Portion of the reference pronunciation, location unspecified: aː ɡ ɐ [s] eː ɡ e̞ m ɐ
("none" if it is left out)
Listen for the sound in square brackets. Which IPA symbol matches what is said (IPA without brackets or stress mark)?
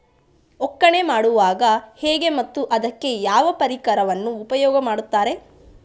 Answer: h